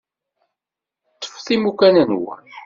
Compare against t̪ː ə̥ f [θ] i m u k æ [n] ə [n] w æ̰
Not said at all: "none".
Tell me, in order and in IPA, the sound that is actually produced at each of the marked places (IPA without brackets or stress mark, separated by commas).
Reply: θ, n, n